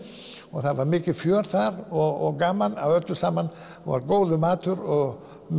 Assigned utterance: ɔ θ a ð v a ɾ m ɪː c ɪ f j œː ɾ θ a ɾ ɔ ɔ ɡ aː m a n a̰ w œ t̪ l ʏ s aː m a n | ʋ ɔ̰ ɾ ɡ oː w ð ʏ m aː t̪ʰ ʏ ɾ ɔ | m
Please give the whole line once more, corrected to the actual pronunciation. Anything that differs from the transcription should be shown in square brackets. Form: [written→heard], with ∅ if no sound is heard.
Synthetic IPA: ɔ θ a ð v a ɾ m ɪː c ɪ f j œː ɾ θ a ɾ ɔ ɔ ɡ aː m a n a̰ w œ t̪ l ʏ s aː m a n | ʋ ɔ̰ ɾ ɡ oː w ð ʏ m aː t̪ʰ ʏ ɾ ɔ | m